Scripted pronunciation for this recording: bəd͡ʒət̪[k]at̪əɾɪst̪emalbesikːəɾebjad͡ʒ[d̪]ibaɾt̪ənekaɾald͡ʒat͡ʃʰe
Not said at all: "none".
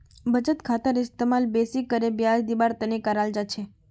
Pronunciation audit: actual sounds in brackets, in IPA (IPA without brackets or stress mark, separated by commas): kʰ, d̪